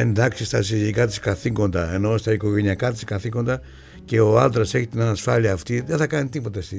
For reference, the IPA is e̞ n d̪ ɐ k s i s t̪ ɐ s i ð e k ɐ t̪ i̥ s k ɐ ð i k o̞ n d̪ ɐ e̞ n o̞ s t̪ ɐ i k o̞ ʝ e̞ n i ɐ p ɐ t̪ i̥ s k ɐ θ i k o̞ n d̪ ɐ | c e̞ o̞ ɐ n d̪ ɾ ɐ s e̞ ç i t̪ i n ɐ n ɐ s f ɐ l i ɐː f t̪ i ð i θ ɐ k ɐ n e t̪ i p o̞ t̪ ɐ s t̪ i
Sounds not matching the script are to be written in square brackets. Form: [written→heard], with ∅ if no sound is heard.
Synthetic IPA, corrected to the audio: e̞ n d̪ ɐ k s i s t̪ ɐ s i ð [e→i] k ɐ t̪ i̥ s k ɐ [ð→θ] i k o̞ n d̪ ɐ e̞ n o̞ s t̪ ɐ i k o̞ ʝ e̞ n i ɐ [p→k] ɐ t̪ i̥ s k ɐ θ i k o̞ n d̪ ɐ | c e̞ o̞ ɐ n d̪ ɾ ɐ s e̞ ç i t̪ i n ɐ n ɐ s f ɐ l i ɐː f t̪ i ð [i→e] θ ɐ k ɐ n [e→i] t̪ i p o̞ t̪ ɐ s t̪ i